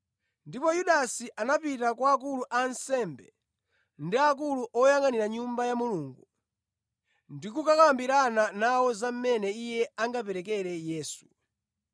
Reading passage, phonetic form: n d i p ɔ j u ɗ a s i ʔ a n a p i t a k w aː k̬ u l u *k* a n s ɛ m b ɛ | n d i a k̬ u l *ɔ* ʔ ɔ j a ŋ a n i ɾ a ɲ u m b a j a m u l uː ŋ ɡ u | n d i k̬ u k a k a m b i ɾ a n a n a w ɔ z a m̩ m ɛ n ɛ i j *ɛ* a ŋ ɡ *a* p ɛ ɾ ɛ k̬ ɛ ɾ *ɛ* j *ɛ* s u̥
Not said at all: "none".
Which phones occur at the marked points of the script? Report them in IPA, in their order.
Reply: ʔ, u, ɛ, a, ɛ, ɛː

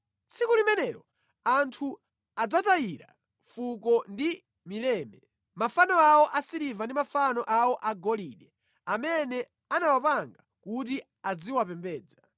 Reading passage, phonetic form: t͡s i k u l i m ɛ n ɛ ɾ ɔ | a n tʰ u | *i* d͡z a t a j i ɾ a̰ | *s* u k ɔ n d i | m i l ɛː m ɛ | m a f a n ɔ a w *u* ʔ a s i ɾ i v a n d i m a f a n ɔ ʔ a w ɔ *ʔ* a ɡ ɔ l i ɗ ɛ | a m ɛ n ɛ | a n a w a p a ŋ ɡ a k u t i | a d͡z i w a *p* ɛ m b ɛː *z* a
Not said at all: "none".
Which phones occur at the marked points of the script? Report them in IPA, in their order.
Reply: a, f, ɔ, ʔ, p, d͡z

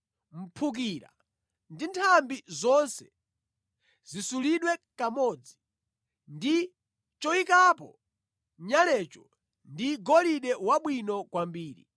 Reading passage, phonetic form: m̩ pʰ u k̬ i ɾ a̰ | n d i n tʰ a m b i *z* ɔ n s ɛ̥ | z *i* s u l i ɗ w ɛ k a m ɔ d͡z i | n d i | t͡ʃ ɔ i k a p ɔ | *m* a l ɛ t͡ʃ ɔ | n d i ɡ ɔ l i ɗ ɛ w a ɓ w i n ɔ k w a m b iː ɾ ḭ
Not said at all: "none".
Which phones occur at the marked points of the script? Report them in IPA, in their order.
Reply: z, i, ɲ

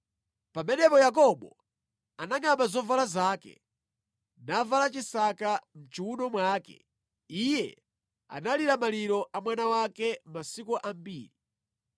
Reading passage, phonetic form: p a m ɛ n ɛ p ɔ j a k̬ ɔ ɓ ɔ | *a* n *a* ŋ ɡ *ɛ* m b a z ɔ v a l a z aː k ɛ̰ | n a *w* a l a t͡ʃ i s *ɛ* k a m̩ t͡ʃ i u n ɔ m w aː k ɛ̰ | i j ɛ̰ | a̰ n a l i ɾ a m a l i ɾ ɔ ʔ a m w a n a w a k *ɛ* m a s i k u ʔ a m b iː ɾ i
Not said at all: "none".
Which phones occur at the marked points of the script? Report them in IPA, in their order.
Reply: a, a, a, v, a, ɛ

